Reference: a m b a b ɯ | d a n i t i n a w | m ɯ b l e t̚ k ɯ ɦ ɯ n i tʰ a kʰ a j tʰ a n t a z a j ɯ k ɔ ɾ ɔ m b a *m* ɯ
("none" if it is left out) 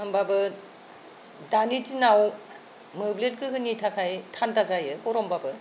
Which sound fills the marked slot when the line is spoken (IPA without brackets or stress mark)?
b